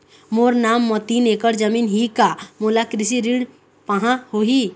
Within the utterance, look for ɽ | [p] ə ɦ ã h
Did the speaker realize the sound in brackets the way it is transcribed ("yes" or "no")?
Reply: yes